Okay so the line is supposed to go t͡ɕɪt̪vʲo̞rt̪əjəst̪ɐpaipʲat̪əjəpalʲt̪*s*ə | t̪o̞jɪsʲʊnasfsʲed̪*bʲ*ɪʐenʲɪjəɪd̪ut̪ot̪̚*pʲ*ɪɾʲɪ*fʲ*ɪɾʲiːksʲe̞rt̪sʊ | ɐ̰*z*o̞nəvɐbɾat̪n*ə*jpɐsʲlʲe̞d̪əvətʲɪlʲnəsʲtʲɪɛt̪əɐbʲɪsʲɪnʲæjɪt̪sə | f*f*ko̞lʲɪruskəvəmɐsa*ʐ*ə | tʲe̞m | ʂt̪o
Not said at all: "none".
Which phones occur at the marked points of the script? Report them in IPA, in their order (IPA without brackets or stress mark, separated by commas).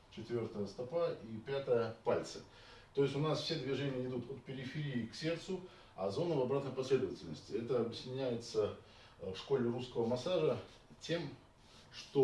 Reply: s, vʲ, pʲ, fʲ, z, ə, ʂ, ʐ